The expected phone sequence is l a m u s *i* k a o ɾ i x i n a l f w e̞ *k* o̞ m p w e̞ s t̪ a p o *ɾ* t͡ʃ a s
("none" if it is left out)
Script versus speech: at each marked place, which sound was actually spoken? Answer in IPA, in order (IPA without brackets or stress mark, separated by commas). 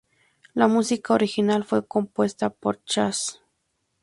i, k, ɾ